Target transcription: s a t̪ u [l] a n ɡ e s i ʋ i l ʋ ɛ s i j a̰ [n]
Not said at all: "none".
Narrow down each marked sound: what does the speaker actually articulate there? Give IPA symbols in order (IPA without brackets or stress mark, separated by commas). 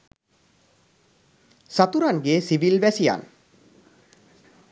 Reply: ɾ, n